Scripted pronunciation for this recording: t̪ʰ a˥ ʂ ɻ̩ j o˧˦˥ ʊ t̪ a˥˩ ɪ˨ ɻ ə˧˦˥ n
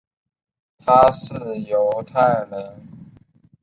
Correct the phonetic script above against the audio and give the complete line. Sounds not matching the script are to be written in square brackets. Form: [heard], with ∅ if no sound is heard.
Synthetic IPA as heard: t̪ʰ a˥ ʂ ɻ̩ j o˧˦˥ ʊ [t̪ʰ] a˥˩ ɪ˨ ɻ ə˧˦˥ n